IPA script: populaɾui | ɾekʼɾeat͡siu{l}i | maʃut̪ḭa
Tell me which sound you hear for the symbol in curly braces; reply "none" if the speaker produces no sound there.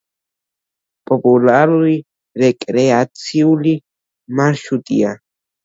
l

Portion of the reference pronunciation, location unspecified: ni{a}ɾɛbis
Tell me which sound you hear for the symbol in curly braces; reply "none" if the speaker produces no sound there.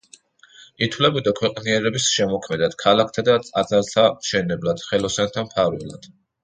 ɛ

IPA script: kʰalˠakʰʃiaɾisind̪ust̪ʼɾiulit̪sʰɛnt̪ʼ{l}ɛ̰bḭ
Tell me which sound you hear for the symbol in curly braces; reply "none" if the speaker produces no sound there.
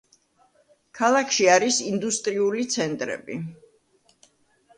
ɾ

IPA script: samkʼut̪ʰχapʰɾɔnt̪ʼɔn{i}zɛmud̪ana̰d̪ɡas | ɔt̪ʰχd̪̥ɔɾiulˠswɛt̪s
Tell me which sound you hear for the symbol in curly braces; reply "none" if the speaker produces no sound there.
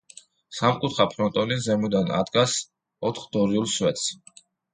i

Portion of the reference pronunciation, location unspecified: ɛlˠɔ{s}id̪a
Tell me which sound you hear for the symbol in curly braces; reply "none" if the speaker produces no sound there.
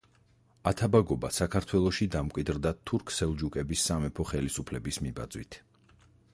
ʃ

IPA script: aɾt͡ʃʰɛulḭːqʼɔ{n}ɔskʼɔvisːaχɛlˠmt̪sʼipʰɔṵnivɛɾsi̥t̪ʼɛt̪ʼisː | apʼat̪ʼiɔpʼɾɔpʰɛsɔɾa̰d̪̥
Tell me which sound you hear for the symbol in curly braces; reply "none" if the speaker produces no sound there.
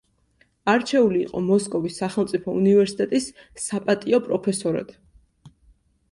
m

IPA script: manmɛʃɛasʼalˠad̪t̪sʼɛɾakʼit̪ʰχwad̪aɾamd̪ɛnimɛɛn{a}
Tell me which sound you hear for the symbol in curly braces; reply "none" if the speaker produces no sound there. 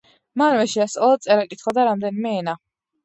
a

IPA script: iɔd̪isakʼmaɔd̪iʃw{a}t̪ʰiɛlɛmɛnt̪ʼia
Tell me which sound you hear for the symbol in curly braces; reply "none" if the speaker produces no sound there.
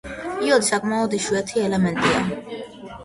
ɛ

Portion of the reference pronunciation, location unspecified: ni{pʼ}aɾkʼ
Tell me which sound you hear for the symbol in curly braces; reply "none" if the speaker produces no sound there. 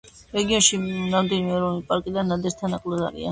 pʼ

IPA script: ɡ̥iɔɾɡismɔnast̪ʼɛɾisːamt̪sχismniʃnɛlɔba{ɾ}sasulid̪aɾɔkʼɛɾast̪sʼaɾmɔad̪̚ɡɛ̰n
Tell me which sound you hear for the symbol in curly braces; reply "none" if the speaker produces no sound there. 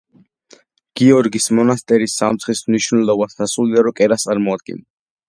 none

